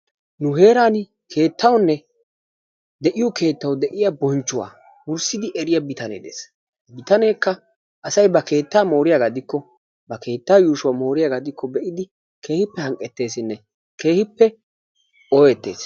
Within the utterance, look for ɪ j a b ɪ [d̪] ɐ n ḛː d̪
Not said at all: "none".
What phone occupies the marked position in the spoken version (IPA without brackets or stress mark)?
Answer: t̪